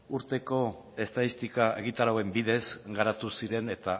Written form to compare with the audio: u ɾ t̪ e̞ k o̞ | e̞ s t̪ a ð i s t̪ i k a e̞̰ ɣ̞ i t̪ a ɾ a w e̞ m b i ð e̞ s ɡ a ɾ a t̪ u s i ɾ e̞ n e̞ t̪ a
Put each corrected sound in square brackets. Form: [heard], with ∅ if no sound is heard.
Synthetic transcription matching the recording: u ɾ t̪ e̞ k o̞ | e̞ s t̪ a ð i s t̪ i k a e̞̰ ɣ̞ i t̪ a ɾ a w e̞ m b i ð e̞ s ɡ a ɾ a t̪ u s i ɾ e̞ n e̞ t̪ a